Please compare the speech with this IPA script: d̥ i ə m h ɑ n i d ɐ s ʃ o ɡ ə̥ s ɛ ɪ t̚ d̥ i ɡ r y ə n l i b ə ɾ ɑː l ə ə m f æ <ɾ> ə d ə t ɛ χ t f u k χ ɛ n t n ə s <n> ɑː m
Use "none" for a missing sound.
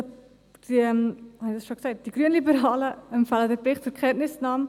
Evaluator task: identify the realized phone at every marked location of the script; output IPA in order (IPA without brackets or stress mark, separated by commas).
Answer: l, n